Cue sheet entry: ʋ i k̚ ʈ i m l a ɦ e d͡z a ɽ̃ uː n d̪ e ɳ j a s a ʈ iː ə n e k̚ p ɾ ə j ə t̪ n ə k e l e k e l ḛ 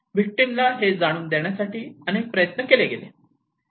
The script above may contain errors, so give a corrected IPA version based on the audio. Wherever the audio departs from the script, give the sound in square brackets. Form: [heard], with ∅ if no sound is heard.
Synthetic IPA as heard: ʋ i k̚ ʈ i m l a ɦ e d͡z a ɽ̃ uː n d̪ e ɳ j a s a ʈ iː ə n e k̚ p ɾ ə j ə t̪ n ə k e l e [ɡ] e l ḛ